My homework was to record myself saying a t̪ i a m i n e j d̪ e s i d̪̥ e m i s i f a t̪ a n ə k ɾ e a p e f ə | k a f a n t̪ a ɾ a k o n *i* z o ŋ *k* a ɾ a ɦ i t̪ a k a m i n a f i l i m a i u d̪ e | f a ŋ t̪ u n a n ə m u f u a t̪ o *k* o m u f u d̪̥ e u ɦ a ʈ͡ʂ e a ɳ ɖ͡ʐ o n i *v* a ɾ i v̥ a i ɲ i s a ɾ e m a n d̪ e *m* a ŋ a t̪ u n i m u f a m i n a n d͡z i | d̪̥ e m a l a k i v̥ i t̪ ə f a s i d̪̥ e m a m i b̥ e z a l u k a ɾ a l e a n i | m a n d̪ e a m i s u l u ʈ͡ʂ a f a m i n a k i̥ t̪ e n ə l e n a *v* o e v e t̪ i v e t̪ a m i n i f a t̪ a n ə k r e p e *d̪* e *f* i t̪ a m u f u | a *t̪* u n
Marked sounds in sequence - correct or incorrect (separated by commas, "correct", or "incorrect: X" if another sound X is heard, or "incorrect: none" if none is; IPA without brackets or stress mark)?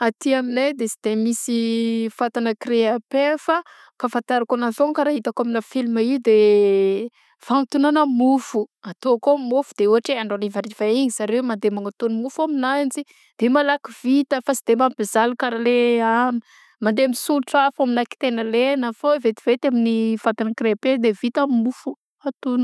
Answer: incorrect: a, correct, correct, correct, correct, incorrect: f, correct, incorrect: v, correct